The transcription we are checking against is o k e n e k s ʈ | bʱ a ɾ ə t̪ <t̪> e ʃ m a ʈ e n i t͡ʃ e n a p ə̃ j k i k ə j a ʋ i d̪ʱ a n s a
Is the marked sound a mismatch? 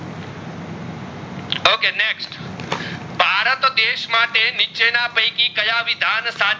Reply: yes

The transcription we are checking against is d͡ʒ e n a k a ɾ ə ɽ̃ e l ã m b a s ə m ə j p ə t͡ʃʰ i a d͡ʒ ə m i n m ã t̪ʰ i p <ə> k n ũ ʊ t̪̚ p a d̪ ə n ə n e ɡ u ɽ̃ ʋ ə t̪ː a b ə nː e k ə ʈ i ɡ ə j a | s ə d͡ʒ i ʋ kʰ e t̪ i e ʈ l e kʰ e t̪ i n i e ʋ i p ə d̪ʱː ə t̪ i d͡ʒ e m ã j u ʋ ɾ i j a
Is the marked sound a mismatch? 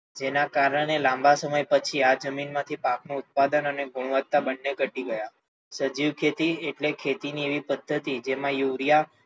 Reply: yes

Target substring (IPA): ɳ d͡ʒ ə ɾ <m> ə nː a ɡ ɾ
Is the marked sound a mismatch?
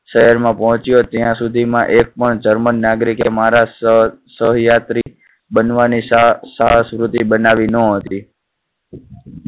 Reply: no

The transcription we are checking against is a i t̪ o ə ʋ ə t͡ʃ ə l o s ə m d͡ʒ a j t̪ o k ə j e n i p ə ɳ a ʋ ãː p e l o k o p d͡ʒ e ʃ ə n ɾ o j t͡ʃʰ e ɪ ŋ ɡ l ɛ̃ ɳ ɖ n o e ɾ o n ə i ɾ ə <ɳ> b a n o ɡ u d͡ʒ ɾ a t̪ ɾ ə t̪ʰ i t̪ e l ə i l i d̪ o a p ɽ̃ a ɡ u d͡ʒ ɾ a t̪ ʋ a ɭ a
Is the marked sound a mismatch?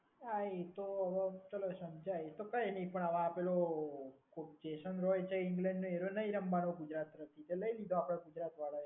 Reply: yes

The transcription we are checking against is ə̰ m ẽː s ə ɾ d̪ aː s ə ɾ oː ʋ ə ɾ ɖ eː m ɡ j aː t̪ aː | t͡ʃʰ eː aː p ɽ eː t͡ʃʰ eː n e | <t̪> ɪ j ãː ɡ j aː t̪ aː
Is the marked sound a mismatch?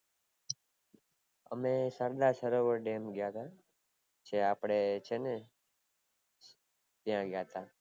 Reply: no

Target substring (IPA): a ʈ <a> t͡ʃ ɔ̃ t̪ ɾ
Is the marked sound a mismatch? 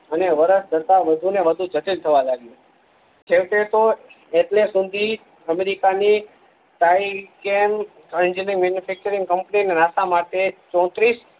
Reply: yes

